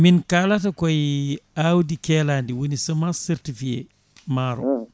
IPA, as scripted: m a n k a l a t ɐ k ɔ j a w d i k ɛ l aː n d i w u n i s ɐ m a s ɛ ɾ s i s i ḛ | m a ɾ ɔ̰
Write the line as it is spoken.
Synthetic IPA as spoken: m i n k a l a t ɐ k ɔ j a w d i k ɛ l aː n d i w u n i s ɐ m a s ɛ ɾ t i f i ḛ | m a ɾ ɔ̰